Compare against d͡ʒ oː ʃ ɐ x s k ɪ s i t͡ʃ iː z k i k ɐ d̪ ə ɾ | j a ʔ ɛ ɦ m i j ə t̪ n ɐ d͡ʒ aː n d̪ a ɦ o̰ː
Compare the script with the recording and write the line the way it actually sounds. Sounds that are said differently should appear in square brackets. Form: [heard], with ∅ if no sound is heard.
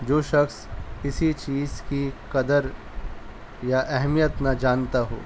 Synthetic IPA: d͡ʒ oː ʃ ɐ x s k ɪ s i t͡ʃ iː z k i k ɐ d̪ ə ɾ | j a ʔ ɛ ɦ m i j ə t̪ n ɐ d͡ʒ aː n [t̪] a ɦ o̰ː